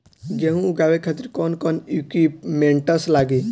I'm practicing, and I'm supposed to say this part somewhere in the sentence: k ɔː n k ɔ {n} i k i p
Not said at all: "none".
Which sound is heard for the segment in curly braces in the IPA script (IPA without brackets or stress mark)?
n